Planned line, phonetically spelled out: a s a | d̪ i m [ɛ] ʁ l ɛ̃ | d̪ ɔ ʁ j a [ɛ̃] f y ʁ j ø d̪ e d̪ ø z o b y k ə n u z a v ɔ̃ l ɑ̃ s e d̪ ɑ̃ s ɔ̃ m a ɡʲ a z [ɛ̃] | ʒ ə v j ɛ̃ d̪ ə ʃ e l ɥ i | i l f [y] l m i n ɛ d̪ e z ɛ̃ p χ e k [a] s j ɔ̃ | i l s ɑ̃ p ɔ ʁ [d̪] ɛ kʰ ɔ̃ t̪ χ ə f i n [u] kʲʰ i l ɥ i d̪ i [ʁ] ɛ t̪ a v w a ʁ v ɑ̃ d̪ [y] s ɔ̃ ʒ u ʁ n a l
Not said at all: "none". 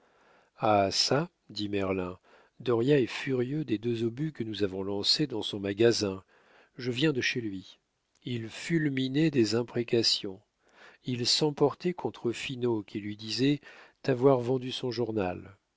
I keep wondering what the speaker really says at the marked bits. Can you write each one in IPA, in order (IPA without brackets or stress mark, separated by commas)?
ɛ, ɛ, ɛ̃, y, a, t̪, o, z, y